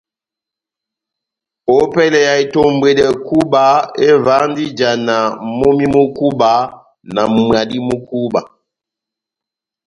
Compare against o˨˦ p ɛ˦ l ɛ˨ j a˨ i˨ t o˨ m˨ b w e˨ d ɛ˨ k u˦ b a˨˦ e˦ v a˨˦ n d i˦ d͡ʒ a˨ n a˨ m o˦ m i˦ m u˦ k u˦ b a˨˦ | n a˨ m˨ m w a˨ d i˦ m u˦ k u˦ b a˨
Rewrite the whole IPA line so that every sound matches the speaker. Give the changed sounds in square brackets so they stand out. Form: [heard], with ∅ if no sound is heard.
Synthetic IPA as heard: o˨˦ p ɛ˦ l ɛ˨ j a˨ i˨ t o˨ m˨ b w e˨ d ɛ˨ k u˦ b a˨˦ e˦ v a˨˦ n d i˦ d͡ʒ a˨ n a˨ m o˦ m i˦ m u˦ k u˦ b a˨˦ | n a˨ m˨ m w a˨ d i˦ m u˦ k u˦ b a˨